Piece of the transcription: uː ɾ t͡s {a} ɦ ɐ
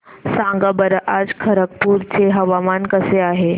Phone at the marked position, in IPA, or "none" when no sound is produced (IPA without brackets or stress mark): e